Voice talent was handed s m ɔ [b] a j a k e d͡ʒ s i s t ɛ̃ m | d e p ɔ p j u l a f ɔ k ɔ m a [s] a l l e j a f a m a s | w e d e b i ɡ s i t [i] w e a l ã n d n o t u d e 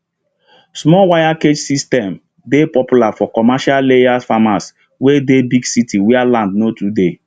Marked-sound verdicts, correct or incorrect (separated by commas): incorrect, incorrect, correct